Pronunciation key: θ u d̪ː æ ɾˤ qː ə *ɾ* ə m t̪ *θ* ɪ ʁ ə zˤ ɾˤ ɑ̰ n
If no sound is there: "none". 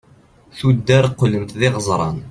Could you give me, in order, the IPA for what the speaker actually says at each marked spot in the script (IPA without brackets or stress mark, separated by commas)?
l, ð